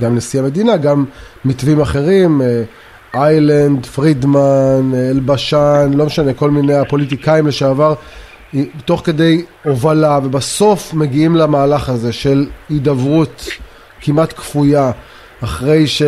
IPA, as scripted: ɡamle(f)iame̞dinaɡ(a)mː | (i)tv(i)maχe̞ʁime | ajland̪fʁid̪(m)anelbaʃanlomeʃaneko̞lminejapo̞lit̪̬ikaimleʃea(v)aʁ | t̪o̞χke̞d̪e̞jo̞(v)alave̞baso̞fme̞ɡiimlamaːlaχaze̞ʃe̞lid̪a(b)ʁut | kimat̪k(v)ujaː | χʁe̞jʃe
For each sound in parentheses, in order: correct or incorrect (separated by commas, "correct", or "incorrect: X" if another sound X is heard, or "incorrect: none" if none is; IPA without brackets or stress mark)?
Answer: incorrect: s, correct, correct, correct, correct, correct, correct, incorrect: v, incorrect: f